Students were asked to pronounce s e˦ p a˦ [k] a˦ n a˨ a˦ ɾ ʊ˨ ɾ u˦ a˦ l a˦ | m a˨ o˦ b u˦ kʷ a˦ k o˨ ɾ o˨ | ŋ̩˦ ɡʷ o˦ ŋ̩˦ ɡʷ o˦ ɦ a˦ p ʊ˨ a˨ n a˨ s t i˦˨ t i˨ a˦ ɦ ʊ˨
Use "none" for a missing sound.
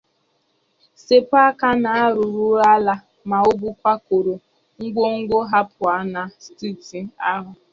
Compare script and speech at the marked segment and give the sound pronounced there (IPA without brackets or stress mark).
k